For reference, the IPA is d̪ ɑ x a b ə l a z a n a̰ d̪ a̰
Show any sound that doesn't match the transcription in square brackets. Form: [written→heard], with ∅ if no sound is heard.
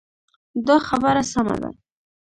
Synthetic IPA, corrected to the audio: d̪ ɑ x a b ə [l→ɾ] a [z→s] a [n→m] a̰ d̪ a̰